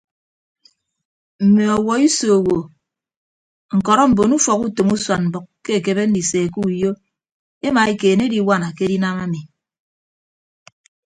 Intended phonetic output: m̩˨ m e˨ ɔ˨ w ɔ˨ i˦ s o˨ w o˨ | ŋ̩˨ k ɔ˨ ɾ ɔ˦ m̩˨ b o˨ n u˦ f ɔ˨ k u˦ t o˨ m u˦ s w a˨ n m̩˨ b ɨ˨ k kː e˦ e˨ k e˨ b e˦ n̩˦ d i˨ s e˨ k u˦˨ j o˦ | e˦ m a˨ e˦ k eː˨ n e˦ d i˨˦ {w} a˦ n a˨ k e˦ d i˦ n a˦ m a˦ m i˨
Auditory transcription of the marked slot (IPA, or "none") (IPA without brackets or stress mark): w